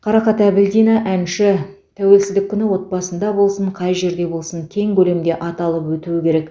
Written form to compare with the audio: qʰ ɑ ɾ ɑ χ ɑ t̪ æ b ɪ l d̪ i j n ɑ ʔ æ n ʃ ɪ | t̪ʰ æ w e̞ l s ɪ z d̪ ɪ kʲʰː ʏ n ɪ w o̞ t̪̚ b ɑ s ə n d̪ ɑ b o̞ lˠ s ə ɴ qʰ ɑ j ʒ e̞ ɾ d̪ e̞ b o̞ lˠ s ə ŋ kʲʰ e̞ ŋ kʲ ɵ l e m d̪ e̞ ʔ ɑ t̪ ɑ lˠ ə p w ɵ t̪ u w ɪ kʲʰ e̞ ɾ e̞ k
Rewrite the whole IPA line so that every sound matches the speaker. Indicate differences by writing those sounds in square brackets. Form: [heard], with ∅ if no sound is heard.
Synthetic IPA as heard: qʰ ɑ ɾ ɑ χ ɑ t̪ æ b ɪ l d̪ i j n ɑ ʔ æ n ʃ ɪ | t̪ʰ æ w e̞ l s ɪ z d̪ ɪ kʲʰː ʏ n ɪ w o̞ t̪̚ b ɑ s ə n d̪ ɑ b o̞ lˠ s ə ɴ qʰ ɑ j ʒ e̞ ɾ d̪ e̞ b o̞ lˠ s ə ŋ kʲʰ e̞ ŋ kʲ ɵ l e m d̪ e̞ ʔ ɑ t̪ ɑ lˠ ə p w ɵ t̪ u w ɪ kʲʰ e̞ ɾ e̞ k